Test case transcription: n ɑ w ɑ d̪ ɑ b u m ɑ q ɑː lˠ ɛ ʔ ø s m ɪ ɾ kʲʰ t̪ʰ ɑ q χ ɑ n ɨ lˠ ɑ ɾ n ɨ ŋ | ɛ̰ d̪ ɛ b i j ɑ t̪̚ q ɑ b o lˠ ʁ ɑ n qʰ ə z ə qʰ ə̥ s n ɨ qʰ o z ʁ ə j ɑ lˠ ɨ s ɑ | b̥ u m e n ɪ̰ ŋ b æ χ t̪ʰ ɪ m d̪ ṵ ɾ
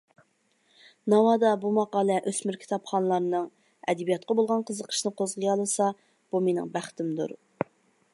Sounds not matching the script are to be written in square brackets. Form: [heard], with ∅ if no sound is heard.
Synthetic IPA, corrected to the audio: n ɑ w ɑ d̪ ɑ b u m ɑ q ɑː lˠ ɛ ʔ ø s m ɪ ɾ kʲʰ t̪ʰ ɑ [p] χ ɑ n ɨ lˠ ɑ ɾ n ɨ ŋ | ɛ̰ d̪ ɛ b i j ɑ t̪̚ q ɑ b o lˠ ʁ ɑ n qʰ ə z ə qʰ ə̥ [ʃ] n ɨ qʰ o z ʁ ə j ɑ lˠ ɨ s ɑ | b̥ u m e n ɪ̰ ŋ b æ χ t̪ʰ ɪ m d̪ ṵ ɾ